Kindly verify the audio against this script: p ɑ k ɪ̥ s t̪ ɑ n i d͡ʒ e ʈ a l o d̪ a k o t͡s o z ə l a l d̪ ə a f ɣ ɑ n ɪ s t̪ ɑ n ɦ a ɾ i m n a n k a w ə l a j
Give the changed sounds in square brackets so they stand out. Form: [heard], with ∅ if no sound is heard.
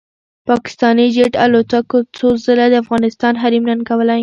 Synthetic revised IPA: p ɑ k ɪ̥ s t̪ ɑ n i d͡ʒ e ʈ a l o [t̪] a k o t͡s o z ə l a [∅] d̪ ə a f ɣ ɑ n ɪ s t̪ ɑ n ɦ a ɾ i m n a n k a w ə l a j